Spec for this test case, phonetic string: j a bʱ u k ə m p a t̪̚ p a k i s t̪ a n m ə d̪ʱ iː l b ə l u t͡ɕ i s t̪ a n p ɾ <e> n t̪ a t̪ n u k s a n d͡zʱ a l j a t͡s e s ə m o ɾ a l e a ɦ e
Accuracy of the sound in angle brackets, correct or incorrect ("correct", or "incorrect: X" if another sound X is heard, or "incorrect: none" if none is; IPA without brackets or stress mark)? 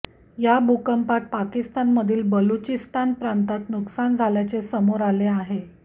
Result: incorrect: a